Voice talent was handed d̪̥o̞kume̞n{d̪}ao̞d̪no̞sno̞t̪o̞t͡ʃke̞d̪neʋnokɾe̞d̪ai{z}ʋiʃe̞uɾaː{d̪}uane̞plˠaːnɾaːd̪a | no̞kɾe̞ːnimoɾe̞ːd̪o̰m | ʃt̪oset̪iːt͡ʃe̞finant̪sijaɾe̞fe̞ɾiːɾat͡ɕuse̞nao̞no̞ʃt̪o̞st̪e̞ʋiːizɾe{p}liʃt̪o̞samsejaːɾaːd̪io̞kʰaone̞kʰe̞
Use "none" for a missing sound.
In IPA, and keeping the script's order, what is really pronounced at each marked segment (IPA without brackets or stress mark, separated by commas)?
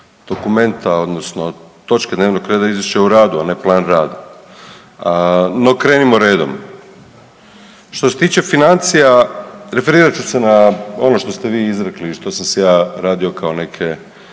t̪, z, d̪, k